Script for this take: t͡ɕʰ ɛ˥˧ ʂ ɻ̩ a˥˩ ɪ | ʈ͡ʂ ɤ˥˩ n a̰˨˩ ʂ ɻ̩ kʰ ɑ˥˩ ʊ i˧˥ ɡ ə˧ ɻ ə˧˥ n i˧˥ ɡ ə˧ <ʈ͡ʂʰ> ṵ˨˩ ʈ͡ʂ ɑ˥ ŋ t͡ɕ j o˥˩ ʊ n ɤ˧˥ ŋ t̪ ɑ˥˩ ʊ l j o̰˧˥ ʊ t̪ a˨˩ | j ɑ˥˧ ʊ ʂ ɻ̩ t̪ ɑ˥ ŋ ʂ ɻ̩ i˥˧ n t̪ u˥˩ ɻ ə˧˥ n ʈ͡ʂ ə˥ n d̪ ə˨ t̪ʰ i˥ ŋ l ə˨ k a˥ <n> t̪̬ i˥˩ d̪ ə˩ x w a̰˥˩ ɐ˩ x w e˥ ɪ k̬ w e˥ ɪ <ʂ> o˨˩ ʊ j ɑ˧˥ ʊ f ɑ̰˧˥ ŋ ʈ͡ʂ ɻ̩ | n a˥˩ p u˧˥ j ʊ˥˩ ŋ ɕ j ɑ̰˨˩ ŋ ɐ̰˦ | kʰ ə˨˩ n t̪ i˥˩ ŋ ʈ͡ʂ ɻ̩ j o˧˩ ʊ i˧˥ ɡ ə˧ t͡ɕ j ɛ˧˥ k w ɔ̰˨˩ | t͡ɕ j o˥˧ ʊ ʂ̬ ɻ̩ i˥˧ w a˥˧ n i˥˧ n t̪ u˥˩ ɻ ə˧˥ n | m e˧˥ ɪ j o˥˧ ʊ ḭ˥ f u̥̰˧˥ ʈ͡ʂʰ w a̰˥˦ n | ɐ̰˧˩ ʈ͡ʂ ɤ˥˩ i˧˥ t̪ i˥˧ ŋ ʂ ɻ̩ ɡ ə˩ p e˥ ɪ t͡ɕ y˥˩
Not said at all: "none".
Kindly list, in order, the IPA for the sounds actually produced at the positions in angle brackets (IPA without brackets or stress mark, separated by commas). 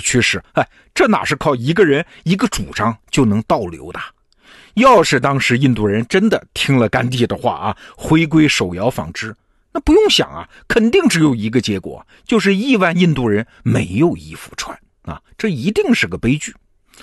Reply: ʈ͡ʂ, n, ʂ